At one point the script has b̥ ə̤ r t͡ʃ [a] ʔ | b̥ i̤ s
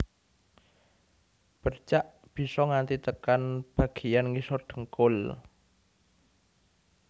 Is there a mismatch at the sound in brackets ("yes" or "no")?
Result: no